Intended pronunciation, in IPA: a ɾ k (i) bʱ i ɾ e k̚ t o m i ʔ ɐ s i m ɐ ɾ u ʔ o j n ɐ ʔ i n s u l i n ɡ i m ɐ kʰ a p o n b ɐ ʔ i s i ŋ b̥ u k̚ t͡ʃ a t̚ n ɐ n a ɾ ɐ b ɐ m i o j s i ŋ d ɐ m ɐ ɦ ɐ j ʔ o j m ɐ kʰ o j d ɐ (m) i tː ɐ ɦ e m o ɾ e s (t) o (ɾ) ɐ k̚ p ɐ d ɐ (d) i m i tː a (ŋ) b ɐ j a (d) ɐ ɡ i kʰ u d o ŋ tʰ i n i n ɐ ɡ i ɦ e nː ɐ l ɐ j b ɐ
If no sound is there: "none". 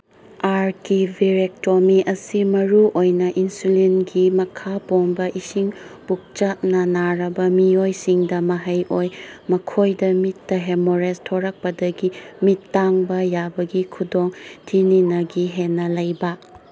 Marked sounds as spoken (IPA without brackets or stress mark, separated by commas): i, m, tʰ, ɾ, ɡ, ŋ, b